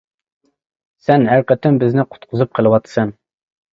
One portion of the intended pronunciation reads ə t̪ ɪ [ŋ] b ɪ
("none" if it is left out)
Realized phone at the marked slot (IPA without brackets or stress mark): m